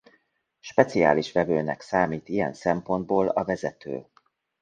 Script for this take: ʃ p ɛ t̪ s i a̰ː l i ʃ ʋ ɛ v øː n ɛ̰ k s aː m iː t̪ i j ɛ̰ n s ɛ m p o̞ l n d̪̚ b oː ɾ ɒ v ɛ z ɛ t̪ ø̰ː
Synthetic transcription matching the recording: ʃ p ɛ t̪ s i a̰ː l i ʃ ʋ ɛ v øː n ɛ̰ k s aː m iː t̪ i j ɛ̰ n s ɛ m p o̞ n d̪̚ b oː l ɒ v ɛ z ɛ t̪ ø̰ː